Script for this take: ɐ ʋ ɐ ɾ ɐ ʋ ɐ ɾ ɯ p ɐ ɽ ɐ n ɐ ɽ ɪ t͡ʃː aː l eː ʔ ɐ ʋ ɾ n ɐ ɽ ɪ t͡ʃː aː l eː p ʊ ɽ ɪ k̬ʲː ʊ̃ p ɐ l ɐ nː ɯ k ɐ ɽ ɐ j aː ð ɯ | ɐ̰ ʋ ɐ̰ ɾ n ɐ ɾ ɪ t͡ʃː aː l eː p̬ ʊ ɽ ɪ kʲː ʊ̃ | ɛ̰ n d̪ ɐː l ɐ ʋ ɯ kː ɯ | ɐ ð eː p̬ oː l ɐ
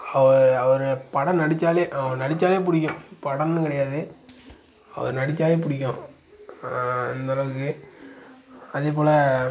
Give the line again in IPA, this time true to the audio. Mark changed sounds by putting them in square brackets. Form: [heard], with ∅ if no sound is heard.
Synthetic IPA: ɐ ʋ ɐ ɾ ɐ ʋ ɐ ɾ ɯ p ɐ ɽ ɐ n ɐ ɽ ɪ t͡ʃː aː l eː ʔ ɐ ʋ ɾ n ɐ ɽ ɪ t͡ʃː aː l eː p ʊ ɽ ɪ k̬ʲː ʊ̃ p ɐ [ɽ] ɐ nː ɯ k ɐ ɽ ɐ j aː ð ɯ | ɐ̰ ʋ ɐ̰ ɾ n ɐ [ɽ] ɪ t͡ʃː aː l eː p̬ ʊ ɽ ɪ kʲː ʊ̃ | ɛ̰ n d̪ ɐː l ɐ ʋ ɯ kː ɯ | ɐ ð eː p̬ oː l ɐ

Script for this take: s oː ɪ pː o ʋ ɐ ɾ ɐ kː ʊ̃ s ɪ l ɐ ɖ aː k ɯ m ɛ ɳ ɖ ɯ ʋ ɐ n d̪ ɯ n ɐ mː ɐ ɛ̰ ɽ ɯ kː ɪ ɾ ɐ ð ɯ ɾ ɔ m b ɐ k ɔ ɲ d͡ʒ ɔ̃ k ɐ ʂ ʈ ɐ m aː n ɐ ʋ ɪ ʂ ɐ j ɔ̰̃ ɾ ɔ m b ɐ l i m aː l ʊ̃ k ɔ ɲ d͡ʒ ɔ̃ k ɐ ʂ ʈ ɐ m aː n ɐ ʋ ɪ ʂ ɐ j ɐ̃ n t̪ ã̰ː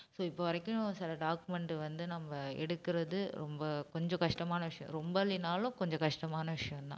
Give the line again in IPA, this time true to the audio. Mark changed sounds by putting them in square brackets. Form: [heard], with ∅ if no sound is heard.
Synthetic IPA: s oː ɪ pː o ʋ ɐ ɾ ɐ kː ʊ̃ s ɪ l ɐ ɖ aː k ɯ m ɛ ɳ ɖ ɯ ʋ ɐ n d̪ ɯ n ɐ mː ɐ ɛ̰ ɽ ɯ kː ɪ ɾ ɐ ð ɯ ɾ ɔ m b ɐ k ɔ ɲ d͡ʒ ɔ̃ k ɐ ʂ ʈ ɐ m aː n ɐ ʋ ɪ ʂ ɐ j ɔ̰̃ ɾ ɔ m b ɐ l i [n] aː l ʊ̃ k ɔ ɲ d͡ʒ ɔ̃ k ɐ ʂ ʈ ɐ m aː n ɐ ʋ ɪ ʂ ɐ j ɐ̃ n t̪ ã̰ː

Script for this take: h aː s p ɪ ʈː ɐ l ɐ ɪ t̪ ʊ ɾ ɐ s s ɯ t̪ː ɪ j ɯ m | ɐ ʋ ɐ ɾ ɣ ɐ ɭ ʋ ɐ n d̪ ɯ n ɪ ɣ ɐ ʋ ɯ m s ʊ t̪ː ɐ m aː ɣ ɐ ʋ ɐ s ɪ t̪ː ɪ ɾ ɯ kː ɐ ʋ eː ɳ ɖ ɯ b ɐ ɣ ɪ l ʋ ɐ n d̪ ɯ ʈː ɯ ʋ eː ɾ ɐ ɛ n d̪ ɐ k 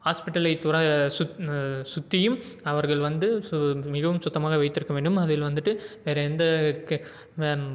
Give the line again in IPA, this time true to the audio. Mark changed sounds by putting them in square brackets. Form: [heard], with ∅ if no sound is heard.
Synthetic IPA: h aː s p ɪ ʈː ɐ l ɐ ɪ t̪ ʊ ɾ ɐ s s [ʊ] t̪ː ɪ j ɯ m | ɐ ʋ ɐ ɾ ɣ ɐ ɭ ʋ ɐ n d̪ ɯ [m] ɪ ɣ ɐ ʋ ɯ m s ʊ t̪ː ɐ m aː ɣ ɐ ʋ ɐ [∅] ɪ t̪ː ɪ ɾ ɯ kː ɐ ʋ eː ɳ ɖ ɯ [m] ɐ [ð] ɪ l ʋ ɐ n d̪ ɯ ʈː ɯ ʋ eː ɾ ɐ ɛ n d̪ ɐ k

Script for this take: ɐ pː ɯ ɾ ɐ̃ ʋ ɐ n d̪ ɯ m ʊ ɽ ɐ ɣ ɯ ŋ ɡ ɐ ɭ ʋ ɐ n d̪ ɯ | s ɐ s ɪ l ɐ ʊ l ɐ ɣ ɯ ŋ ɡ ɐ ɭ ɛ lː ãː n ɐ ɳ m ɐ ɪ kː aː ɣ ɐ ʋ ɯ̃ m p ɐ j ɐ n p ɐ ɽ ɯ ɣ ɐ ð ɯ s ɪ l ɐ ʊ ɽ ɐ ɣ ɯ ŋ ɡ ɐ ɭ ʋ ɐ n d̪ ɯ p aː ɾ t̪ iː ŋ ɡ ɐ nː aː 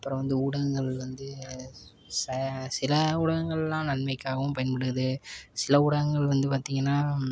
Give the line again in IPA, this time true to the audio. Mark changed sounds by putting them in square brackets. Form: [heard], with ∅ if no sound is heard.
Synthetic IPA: ɐ pː ɯ ɾ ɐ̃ ʋ ɐ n d̪ ɯ [∅] ʊ ɽ ɐ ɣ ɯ ŋ ɡ ɐ ɭ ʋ ɐ n d̪ ɯ | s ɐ s ɪ l ɐ ʊ [ɽ] ɐ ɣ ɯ ŋ ɡ ɐ ɭ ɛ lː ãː n ɐ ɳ m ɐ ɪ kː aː ɣ ɐ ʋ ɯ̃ m p ɐ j ɐ n p ɐ ɽ ɯ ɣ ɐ ð ɯ s ɪ l ɐ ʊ ɽ ɐ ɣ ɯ ŋ ɡ ɐ ɭ ʋ ɐ n d̪ ɯ p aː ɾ t̪ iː ŋ ɡ ɐ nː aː

